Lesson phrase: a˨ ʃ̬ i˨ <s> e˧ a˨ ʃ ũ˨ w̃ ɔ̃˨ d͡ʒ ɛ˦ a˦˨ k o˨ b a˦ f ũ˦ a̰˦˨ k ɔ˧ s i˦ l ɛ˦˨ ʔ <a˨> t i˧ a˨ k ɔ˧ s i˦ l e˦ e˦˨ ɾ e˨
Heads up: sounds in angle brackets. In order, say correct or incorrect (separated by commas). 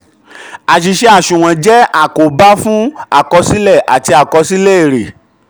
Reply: incorrect, correct